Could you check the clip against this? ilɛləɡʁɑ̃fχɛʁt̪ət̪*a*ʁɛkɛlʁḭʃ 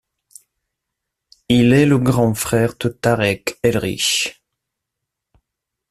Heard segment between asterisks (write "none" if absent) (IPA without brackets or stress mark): a